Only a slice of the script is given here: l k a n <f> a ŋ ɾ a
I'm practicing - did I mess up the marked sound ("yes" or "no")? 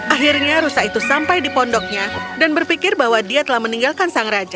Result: yes